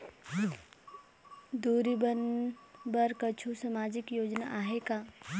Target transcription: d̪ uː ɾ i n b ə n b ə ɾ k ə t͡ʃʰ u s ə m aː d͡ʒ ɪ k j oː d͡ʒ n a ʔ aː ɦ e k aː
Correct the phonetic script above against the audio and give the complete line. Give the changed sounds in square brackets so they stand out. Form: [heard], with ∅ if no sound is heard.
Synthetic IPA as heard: d̪ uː ɾ i [∅] b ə n b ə ɾ k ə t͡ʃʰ u s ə m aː d͡ʒ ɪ k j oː d͡ʒ n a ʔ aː ɦ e k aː